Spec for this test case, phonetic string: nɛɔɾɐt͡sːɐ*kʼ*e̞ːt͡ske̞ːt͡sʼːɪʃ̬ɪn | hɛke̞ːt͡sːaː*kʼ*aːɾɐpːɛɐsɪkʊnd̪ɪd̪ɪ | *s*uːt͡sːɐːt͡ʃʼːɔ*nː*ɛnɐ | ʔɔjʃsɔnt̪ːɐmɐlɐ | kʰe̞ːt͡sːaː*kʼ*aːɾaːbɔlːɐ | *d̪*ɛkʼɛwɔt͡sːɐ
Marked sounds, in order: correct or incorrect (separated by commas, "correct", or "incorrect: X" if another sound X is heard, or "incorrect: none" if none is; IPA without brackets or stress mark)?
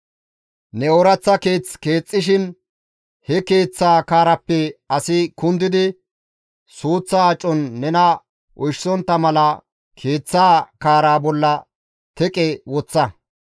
incorrect: k, incorrect: k, correct, correct, incorrect: k, incorrect: t̪